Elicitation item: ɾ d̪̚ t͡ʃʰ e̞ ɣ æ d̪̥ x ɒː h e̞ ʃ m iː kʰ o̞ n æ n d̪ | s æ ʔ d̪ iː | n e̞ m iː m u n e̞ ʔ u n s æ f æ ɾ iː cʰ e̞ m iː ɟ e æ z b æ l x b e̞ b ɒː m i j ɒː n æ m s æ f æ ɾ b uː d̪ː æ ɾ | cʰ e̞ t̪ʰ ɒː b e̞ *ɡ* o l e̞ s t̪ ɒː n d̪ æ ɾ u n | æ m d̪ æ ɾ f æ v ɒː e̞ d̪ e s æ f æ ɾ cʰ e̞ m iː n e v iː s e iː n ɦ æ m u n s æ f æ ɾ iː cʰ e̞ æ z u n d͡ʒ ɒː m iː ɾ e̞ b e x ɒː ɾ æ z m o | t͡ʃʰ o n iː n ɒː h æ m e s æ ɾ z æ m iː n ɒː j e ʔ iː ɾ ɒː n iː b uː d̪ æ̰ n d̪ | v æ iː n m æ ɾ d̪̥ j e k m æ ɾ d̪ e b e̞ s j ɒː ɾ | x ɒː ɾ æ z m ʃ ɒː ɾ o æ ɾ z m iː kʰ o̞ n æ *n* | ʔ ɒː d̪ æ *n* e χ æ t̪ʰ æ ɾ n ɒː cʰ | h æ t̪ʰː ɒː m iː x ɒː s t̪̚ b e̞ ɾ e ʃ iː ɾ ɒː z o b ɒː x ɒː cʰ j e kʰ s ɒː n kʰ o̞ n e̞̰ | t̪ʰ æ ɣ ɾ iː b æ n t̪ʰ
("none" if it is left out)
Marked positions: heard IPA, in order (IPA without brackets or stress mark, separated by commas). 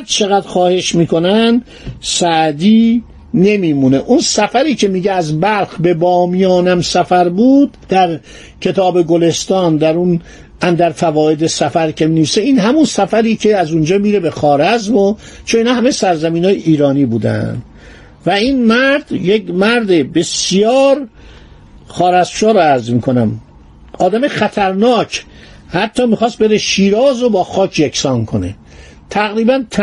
ɡ, m, m